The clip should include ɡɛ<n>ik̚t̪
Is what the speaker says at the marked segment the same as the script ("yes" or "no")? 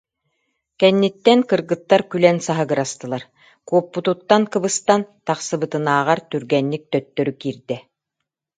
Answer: no